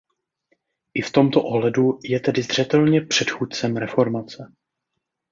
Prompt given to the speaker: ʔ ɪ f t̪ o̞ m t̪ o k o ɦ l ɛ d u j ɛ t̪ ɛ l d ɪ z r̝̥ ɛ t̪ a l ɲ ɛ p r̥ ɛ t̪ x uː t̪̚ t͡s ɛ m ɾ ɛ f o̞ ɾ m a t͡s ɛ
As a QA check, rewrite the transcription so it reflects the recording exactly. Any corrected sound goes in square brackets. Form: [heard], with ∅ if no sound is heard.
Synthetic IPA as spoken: ʔ ɪ f t̪ o̞ m t̪ o [ʔ] o ɦ l ɛ d u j ɛ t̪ ɛ [∅] d ɪ z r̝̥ ɛ t̪ [ɛ] l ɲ ɛ p r̥ ɛ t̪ x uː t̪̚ t͡s ɛ m ɾ ɛ f o̞ ɾ m a t͡s ɛ